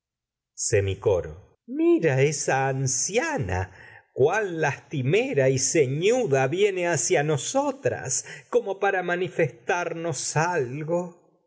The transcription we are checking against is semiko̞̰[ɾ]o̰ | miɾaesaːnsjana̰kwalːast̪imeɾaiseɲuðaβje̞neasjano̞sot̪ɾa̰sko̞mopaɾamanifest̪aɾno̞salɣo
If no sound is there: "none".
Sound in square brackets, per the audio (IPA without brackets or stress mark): ɾ